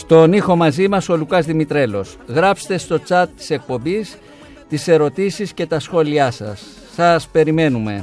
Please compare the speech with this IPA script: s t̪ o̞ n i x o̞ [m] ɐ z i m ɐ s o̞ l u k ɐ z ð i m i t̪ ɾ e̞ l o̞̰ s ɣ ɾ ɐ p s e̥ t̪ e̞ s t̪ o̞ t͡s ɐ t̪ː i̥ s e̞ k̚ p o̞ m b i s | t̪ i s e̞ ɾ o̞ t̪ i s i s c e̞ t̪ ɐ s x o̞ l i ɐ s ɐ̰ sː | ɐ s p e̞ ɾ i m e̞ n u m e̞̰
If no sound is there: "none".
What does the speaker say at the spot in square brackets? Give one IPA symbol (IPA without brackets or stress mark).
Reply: m